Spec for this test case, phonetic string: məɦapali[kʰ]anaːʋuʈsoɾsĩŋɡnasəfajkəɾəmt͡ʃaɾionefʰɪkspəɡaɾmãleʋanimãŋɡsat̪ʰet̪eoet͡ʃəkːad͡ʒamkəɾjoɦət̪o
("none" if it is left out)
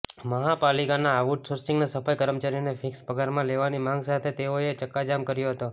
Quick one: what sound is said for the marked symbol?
k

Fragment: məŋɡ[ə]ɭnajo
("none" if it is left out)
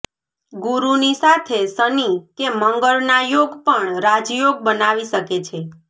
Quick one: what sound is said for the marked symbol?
ə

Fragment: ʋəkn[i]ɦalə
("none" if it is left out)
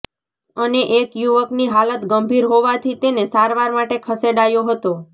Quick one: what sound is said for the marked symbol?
i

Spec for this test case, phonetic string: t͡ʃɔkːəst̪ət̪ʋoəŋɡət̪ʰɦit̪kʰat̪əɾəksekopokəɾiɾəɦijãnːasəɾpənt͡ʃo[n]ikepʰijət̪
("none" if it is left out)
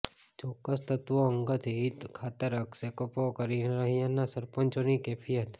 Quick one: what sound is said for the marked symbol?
n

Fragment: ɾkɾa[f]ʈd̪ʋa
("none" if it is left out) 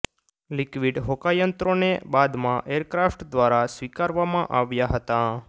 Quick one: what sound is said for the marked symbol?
f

